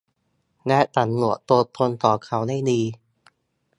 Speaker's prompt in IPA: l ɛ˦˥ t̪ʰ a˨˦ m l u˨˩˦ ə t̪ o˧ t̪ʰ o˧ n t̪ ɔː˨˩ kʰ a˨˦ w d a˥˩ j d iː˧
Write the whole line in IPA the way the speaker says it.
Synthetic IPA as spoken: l ɛ˦˥ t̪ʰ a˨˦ n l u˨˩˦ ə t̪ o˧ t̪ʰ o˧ n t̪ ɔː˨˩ kʰ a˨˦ w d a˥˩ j d iː˧